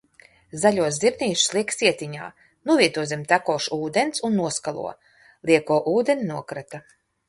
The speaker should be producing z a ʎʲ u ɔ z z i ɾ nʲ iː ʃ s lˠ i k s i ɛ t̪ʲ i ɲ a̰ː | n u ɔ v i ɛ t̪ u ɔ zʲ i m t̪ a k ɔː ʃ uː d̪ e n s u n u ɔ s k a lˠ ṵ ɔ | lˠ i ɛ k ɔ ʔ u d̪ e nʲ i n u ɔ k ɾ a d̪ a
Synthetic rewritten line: z a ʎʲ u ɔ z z i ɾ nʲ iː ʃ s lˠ i k s i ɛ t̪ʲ i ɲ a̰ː | n u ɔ v i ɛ t̪ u ɔ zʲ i m t̪ a k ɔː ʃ uː d̪ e n s u nː u ɔ s k a lˠ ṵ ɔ | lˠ i ɛ k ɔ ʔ uː d̪ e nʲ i n u ɔ k ɾ a t̪ a